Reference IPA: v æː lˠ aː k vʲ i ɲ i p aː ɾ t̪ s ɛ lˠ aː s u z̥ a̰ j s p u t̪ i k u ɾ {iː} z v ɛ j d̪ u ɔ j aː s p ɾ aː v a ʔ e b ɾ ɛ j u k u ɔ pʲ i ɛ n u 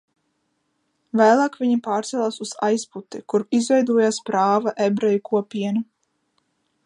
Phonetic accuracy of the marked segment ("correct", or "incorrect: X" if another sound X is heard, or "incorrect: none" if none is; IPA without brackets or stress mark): incorrect: i